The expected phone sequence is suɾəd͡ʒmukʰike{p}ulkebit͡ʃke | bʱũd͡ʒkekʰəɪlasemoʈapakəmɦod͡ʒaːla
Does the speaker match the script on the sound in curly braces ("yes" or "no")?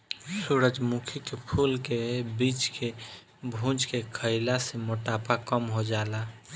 no